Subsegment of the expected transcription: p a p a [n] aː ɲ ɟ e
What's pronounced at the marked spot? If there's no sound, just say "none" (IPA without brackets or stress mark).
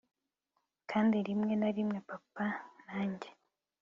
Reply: n